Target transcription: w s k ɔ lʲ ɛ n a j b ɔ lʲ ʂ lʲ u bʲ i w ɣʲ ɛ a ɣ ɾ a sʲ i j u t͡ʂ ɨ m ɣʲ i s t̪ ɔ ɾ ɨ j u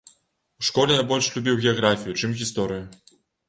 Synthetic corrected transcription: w ʂ k ɔ lʲ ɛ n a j b ɔ lʲ ʂ lʲ u bʲ i w ɣʲ ɛ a ɣ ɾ a fʲ i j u t͡ʂ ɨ m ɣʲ i s t̪ ɔ ɾ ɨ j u